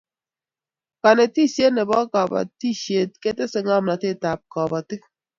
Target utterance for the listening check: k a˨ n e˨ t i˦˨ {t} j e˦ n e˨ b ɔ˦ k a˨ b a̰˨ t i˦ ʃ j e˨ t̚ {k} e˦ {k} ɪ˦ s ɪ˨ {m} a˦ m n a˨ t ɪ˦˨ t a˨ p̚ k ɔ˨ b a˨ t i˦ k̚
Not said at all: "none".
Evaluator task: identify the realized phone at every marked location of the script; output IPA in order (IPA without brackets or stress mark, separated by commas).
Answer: s, k, t, ŋ